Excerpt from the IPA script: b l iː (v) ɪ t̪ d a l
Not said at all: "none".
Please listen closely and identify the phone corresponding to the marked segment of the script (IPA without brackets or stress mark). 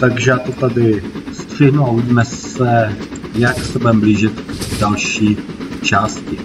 ʒ